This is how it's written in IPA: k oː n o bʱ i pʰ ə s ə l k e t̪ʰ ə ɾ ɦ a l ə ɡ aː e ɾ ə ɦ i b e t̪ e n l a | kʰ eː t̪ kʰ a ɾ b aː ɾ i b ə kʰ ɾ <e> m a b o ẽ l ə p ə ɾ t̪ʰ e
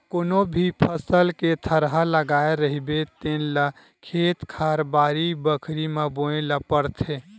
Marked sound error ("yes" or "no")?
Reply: yes